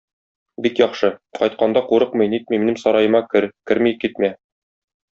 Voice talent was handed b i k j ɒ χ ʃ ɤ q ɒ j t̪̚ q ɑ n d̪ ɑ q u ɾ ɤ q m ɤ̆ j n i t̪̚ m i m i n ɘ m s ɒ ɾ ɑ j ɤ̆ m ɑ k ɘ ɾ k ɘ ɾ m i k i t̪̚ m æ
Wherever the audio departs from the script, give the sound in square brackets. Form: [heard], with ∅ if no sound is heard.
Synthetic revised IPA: b i k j ɒ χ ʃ ɤ q ɒ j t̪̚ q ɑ n d̪ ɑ q u ɾ ɤ q m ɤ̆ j n i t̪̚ m i m i n ɘ m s ɒ ɾ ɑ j ɤ̆ m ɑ k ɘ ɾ k ɘ ɾ m i k i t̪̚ m æ